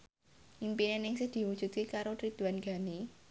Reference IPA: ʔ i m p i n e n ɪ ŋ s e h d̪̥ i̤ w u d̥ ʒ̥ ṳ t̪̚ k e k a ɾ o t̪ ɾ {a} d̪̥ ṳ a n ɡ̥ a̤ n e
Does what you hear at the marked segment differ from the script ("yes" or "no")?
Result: yes